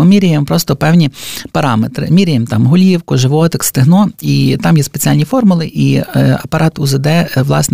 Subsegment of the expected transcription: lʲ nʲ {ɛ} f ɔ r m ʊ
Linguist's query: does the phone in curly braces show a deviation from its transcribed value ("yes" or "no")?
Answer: yes